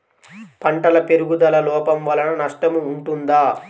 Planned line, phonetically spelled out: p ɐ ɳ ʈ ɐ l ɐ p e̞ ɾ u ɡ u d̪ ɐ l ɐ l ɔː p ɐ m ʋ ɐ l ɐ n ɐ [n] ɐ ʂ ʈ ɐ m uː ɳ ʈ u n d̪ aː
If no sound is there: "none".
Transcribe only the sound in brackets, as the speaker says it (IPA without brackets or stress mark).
n